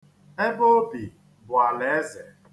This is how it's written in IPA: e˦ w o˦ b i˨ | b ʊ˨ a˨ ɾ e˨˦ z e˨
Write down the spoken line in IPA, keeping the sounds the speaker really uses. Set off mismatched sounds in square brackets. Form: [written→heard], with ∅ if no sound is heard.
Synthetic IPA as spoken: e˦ [w→b] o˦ b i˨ | b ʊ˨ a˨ [ɾ→l] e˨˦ z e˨